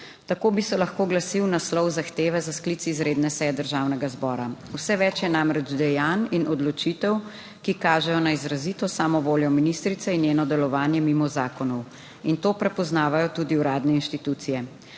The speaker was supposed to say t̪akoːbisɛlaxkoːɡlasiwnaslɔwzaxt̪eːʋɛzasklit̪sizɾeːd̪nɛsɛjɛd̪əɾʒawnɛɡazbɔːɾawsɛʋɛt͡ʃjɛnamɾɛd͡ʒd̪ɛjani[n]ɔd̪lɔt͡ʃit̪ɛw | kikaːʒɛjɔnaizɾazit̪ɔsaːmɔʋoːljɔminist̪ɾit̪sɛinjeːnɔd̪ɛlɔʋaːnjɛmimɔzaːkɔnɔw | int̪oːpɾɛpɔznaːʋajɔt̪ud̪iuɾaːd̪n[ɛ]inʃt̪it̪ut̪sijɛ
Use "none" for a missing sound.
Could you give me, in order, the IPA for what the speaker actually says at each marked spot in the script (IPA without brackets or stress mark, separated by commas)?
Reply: n, ɛ